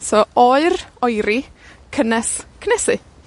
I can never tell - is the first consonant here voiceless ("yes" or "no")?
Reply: yes